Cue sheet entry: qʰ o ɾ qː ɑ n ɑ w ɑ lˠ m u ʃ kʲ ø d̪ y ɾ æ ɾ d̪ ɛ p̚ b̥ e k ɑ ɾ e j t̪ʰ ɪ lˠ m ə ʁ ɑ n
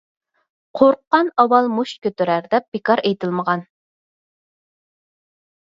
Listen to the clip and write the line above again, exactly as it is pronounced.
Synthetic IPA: qʰ o ɾ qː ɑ n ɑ w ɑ lˠ m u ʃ kʲ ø t̪ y ɾ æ ɾ d̪ ɛ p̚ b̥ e k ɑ ɾ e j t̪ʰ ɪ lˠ m ə ʁ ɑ n